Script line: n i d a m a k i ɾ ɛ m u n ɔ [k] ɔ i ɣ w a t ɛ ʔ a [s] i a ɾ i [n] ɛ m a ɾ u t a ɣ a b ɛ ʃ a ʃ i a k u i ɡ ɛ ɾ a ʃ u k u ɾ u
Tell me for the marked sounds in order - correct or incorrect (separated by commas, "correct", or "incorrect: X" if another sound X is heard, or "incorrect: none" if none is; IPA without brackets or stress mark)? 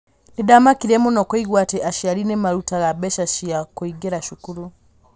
correct, incorrect: ʃ, correct